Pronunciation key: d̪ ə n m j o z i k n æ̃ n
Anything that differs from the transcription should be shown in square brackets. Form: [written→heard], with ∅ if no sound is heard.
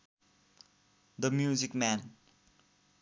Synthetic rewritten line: d̪ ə [n→∅] m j [o→u] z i k [n→m] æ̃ n